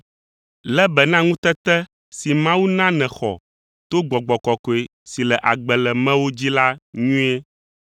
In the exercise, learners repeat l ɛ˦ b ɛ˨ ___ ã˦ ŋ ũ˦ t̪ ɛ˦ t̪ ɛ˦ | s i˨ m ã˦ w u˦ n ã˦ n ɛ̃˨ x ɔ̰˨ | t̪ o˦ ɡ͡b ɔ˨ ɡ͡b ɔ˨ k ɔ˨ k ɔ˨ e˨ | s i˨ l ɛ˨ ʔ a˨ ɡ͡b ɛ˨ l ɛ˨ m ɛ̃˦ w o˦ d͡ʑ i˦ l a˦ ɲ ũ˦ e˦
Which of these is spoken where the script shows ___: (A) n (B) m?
A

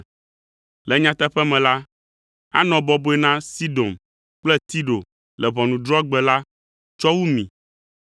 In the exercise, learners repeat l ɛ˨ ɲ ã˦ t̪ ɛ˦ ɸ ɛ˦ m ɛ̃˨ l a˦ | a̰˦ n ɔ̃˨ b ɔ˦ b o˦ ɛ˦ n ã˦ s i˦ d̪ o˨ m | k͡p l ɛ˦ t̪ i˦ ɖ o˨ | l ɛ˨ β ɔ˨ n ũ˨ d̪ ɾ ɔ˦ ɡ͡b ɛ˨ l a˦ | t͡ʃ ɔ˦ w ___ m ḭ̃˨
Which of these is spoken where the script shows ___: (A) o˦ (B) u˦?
B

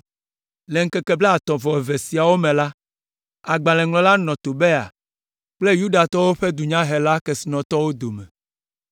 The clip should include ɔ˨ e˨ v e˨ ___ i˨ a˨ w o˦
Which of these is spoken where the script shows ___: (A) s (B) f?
A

